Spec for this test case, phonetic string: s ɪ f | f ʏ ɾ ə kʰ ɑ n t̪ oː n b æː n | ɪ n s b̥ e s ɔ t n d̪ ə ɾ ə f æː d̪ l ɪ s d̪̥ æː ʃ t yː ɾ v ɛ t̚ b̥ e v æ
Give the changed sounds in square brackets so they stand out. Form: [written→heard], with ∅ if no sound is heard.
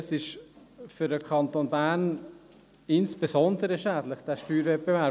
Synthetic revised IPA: s ɪ [f→ʃ] | f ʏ ɾ ə kʰ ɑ n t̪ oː n b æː n | ɪ n s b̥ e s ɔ [t→∅] n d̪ ə ɾ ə [f→ʃ] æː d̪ l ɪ [s→χ] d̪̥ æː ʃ t yː ɾ v ɛ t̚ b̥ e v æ